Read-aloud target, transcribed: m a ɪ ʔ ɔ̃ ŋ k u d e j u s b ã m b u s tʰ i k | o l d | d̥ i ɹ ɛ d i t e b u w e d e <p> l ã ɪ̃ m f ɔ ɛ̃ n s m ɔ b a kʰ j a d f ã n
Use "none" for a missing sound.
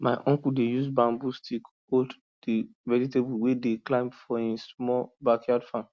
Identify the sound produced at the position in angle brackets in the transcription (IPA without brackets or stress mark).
k